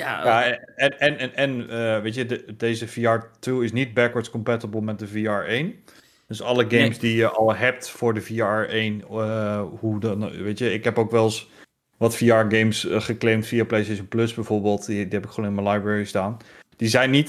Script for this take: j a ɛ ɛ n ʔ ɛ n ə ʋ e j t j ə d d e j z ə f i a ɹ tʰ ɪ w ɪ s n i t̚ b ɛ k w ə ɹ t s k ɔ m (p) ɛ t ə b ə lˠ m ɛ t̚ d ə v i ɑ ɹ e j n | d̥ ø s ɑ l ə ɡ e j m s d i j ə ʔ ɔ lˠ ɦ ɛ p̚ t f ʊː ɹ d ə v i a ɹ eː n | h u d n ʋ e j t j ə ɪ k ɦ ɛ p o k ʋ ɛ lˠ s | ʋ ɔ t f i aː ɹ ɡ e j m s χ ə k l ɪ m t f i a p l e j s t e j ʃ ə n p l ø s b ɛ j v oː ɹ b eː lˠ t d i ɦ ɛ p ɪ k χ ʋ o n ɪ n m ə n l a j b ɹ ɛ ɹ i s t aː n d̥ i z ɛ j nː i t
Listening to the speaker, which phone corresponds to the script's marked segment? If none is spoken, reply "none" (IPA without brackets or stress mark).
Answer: p